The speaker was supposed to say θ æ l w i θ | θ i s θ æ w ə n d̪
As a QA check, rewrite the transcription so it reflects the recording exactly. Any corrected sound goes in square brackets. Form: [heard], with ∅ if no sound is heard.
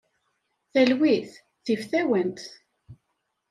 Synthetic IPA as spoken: θ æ l w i θ | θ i [f] θ æ w ə n [t̪]